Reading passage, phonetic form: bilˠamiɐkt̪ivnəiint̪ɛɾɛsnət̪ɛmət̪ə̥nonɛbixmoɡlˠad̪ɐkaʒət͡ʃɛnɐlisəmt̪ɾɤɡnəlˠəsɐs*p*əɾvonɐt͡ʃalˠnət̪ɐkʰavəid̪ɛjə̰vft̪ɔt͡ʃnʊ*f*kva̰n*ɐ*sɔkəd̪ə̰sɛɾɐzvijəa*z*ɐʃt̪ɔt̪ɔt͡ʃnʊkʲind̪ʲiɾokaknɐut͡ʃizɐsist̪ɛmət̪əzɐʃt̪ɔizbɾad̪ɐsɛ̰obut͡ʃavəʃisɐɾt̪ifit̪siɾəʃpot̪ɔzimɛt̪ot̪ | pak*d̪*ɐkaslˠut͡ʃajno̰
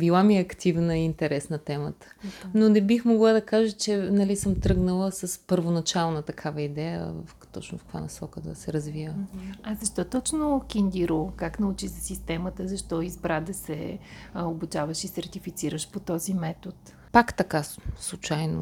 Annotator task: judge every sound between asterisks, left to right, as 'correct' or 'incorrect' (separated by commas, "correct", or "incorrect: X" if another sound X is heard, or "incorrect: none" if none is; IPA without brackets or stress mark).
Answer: correct, correct, correct, correct, incorrect: t̪